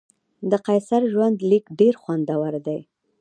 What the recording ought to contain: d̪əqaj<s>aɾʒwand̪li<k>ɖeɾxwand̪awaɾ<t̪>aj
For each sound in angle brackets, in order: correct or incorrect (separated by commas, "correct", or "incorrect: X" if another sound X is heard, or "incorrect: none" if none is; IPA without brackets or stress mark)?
correct, correct, incorrect: d̪